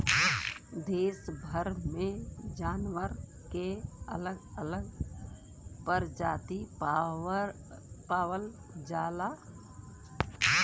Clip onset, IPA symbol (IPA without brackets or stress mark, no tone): d̪